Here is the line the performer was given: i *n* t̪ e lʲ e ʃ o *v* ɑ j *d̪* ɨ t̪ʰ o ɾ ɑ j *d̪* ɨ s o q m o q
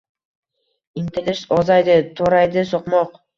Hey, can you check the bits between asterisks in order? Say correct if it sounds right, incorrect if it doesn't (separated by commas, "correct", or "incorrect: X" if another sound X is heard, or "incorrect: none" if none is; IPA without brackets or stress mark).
correct, incorrect: z, correct, correct